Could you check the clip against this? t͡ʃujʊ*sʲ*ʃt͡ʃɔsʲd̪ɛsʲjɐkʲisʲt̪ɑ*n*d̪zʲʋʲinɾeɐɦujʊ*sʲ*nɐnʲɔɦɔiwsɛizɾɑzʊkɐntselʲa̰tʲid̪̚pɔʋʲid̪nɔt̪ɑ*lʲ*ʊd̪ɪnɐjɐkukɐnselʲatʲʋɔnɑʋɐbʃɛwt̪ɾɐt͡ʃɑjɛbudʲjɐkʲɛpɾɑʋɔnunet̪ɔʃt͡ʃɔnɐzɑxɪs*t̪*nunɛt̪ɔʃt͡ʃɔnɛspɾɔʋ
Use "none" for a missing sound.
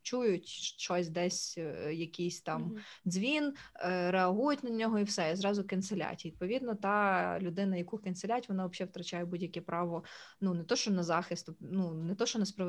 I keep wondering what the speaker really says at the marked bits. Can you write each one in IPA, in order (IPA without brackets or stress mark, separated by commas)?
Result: tʲ, m, tʲ, lʲ, t̪